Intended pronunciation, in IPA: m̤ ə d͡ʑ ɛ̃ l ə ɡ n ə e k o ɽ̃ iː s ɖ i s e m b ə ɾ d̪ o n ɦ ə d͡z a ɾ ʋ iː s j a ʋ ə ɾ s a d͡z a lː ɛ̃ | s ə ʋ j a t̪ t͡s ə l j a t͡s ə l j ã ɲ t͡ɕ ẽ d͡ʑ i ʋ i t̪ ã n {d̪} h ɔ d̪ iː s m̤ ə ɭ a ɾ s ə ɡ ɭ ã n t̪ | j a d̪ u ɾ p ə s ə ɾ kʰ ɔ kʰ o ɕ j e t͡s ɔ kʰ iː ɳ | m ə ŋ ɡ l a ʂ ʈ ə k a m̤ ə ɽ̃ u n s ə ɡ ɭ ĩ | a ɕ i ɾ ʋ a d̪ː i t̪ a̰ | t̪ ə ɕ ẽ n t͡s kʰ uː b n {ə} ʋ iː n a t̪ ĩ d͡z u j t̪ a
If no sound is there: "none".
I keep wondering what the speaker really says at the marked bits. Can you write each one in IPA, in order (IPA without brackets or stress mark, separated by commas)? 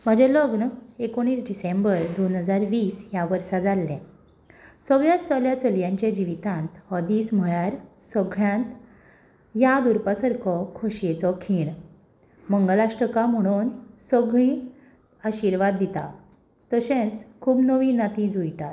t̪, ə